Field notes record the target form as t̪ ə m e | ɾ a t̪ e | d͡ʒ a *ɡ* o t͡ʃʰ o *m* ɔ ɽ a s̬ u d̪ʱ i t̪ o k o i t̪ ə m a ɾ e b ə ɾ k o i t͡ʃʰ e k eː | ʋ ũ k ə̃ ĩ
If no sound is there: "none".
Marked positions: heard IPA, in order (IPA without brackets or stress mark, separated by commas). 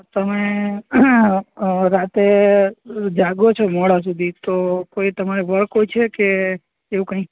ɡ, m